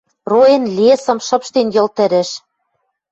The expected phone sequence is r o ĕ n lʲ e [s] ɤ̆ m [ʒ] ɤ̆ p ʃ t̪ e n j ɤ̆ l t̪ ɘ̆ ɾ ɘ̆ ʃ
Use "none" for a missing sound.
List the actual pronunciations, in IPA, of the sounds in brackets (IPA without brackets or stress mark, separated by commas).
s, ʃ